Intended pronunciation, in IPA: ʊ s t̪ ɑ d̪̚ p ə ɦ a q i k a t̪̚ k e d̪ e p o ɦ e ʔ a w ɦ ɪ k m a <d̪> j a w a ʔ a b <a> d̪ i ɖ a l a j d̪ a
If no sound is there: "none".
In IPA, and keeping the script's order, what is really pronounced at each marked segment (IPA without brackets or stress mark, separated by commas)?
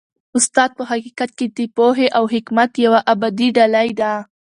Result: t̪, a